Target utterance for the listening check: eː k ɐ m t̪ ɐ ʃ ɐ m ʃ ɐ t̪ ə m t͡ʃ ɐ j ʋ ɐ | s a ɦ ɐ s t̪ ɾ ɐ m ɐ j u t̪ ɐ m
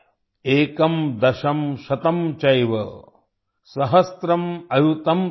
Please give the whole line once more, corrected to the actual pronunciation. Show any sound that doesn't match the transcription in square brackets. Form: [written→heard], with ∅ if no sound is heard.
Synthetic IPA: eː k ɐ m [t̪→d̪] ɐ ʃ ɐ m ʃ ɐ t̪ [ə→ɐ] m t͡ʃ ɐ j ʋ ɐ | s [a→ɐ] ɦ ɐ s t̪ ɾ ɐ m ɐ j u t̪ ɐ m